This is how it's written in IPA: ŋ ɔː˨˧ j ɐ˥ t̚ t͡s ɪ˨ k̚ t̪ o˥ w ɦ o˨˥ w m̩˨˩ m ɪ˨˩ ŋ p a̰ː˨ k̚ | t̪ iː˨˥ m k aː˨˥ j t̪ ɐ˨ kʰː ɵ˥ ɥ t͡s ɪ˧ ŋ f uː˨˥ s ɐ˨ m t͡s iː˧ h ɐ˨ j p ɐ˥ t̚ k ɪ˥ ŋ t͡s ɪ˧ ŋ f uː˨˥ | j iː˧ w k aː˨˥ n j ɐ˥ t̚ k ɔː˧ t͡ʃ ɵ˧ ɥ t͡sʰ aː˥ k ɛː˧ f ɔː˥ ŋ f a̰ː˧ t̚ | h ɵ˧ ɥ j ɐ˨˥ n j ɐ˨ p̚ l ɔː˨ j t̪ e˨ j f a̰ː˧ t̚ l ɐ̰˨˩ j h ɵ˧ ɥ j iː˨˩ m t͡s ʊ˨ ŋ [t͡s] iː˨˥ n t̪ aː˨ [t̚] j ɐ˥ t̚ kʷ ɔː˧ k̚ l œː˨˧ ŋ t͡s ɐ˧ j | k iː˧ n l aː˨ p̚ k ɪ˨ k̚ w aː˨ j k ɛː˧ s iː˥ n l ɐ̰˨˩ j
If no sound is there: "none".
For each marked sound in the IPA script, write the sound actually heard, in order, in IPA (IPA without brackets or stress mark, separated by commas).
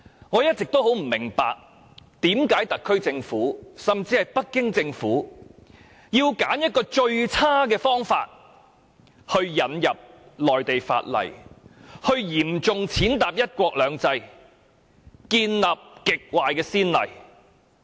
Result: t͡sʰ, p̚